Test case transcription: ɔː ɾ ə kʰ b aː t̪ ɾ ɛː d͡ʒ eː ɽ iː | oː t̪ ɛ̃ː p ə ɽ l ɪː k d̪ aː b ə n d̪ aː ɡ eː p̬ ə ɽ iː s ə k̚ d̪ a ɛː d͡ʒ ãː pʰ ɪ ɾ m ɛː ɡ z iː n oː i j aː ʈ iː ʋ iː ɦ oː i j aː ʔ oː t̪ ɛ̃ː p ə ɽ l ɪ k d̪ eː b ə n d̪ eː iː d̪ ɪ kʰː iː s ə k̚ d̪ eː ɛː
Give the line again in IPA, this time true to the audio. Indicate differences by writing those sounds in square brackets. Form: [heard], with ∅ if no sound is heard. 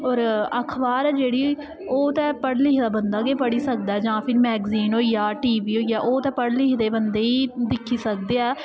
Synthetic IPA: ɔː ɾ ə kʰ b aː [∅] ɾ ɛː d͡ʒ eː ɽ iː | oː t̪ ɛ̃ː p ə ɽ l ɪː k d̪ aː b ə n d̪ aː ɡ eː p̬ ə ɽ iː s ə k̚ d̪ a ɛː d͡ʒ ãː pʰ ɪ ɾ m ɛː ɡ z iː n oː i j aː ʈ iː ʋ iː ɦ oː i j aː ʔ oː t̪ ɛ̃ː p ə ɽ l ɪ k d̪ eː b ə n d̪ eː iː d̪ ɪ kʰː iː s ə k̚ d̪ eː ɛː